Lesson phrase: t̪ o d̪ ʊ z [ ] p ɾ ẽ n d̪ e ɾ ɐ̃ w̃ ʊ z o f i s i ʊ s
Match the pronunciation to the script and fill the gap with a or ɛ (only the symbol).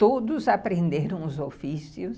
a